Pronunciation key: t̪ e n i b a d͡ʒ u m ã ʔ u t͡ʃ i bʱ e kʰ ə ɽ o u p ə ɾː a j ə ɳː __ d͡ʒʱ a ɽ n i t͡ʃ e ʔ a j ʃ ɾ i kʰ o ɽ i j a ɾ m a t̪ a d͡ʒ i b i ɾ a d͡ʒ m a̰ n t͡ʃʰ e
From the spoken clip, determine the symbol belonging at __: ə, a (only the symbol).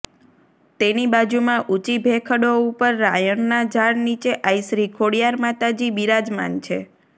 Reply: a